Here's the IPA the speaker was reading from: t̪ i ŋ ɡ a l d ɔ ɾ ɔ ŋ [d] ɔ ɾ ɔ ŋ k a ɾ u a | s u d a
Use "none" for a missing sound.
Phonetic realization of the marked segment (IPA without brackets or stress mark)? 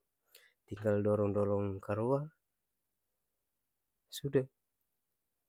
d